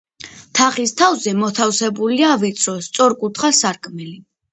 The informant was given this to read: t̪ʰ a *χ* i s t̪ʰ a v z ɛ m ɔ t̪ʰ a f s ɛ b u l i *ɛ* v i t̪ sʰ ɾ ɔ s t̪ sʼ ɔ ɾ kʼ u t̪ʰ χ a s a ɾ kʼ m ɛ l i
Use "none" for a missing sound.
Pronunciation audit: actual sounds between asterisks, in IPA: χ, a

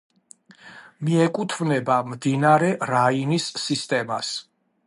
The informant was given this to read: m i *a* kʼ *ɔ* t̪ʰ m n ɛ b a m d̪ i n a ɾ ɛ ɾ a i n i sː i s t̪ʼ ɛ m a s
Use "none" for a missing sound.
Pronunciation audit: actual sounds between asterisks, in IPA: ɛ, u

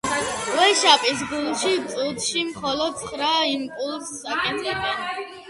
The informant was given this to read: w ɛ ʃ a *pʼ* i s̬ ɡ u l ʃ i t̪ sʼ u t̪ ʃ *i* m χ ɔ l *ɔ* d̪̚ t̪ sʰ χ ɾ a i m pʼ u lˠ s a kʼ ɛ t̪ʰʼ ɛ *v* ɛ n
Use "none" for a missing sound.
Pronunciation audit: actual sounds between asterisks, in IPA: pʼ, i, ɔ, b

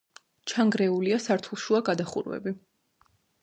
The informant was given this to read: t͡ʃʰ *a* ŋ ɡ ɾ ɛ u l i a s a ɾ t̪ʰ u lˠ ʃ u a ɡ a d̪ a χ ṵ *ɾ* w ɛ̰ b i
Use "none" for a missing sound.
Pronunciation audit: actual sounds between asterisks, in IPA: a, ɾ

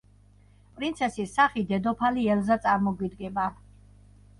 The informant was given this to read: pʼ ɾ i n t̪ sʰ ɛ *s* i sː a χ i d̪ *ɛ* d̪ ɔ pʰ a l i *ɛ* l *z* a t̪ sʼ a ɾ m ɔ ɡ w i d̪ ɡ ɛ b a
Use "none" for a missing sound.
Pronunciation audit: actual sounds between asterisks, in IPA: s, ɛ, ɛ, z

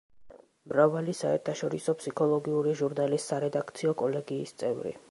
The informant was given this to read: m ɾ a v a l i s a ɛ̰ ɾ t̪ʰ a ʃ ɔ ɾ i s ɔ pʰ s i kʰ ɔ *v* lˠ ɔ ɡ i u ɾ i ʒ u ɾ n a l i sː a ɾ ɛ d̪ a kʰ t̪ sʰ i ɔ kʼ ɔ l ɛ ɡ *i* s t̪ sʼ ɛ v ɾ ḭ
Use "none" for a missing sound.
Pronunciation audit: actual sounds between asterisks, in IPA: none, iː

